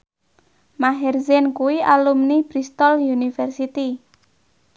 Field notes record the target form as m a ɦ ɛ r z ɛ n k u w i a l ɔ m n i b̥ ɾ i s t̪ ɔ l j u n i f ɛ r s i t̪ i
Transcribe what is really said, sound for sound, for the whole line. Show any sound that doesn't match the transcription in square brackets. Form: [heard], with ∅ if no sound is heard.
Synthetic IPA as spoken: m a ɦ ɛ r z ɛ n k u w i a l [u] m n i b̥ ɾ i s t̪ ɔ l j u n i f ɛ r s i t̪ i